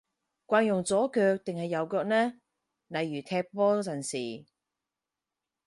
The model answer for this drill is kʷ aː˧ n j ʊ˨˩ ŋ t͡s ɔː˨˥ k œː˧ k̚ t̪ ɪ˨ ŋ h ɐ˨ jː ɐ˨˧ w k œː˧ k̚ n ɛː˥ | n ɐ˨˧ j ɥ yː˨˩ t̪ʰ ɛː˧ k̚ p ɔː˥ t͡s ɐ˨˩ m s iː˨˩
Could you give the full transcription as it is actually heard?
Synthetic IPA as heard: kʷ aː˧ n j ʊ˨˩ ŋ t͡s ɔː˨˥ k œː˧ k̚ t̪ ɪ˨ ŋ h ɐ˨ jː ɐ˨˧ w k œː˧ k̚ n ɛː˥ | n ɐ˨˧ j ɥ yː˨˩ t̪ʰ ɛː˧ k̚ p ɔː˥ t͡s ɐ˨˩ n s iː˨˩